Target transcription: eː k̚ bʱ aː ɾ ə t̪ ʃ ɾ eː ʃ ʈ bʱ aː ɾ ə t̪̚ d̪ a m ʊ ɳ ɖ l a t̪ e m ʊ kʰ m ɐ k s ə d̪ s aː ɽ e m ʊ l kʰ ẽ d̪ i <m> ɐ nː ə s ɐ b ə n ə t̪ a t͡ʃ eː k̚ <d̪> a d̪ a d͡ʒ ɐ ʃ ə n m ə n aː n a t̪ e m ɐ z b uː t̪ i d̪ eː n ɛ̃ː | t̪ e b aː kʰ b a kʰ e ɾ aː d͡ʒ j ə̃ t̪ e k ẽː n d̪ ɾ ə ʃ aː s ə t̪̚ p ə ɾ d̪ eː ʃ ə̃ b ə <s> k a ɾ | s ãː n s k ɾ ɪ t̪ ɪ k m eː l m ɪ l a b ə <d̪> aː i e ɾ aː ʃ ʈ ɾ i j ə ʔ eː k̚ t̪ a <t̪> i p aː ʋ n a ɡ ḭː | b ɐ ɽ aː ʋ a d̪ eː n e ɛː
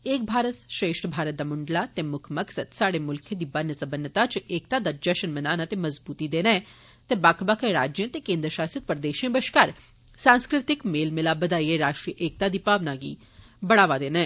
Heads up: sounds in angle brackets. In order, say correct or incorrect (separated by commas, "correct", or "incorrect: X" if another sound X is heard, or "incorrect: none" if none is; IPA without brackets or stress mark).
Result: incorrect: b, incorrect: t̪, incorrect: ʃ, correct, incorrect: d̪